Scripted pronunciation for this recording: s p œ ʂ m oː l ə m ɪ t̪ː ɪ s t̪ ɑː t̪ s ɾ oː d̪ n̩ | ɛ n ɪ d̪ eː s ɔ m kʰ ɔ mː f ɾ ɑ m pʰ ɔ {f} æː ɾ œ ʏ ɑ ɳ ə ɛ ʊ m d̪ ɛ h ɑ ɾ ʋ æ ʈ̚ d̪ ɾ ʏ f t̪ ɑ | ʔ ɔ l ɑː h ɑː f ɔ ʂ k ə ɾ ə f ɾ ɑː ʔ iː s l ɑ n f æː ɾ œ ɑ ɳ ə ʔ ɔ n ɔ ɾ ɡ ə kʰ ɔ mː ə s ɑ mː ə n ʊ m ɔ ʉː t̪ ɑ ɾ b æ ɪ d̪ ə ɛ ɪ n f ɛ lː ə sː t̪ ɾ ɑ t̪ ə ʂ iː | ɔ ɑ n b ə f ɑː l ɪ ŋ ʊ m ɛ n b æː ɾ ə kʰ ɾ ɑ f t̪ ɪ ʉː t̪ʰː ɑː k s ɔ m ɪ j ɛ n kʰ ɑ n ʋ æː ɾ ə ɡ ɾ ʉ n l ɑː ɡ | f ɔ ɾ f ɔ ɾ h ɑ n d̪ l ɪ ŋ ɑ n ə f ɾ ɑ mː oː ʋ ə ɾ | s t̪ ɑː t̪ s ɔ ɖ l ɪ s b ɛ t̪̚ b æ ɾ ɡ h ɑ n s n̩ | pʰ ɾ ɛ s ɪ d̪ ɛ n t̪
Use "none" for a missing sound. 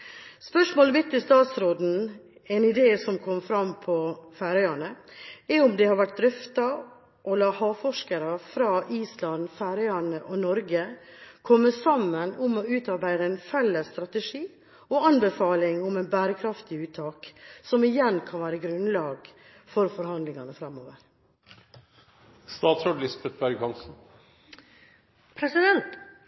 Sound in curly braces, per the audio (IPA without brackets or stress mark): f